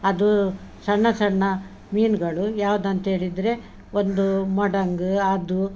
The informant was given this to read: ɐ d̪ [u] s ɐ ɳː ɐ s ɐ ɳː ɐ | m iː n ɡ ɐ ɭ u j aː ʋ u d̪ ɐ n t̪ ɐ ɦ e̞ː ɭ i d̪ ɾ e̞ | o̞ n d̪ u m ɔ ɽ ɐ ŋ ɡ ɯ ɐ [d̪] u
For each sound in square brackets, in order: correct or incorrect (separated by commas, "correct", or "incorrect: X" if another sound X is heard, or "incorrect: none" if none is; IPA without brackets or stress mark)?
correct, correct